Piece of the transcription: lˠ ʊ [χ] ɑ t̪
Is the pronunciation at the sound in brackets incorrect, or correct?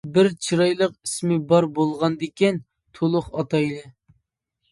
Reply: correct